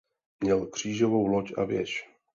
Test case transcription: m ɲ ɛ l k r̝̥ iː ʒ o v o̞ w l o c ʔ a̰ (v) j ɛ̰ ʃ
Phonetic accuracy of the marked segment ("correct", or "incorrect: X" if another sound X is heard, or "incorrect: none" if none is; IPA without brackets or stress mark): correct